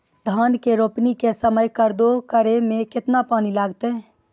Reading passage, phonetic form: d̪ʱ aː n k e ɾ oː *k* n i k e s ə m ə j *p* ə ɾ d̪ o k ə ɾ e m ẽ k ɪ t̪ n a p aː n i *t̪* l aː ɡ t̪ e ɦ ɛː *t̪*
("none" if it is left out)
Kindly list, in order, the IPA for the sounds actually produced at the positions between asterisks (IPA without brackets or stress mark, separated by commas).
p, k, none, none